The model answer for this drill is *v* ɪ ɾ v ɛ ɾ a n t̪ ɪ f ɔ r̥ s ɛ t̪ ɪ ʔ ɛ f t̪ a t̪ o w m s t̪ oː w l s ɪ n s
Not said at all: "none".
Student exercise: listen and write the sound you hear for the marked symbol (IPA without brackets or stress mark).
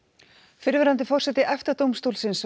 f